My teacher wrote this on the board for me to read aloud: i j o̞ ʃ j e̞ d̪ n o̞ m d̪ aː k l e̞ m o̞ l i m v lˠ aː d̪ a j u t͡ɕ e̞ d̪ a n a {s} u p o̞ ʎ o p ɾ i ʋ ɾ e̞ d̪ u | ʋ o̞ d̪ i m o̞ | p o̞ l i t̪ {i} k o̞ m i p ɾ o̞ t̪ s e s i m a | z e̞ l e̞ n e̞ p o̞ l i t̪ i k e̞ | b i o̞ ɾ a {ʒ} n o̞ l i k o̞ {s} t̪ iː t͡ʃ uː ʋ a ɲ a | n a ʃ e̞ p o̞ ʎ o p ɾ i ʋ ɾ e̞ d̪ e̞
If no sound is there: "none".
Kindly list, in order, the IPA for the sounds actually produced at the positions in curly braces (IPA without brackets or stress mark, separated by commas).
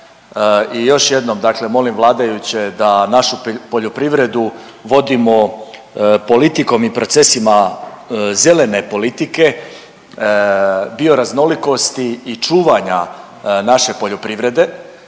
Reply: ʃ, i, z, s